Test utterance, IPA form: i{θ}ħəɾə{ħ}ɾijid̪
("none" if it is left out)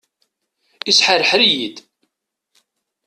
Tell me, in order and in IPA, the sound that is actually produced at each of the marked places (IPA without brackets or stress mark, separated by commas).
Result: s, ħ